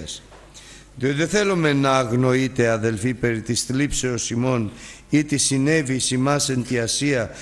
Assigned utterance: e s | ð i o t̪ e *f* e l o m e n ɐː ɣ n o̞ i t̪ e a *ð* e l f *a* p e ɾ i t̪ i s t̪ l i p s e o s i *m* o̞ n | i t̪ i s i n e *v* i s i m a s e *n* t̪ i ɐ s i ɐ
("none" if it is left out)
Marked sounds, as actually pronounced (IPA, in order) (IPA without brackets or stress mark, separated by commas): θ, ð, i, m, v, n